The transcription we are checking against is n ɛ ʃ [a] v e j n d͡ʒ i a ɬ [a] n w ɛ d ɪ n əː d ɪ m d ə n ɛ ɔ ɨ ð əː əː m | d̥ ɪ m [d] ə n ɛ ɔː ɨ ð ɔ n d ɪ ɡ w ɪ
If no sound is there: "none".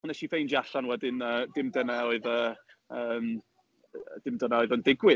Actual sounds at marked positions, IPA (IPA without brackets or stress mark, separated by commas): i, a, d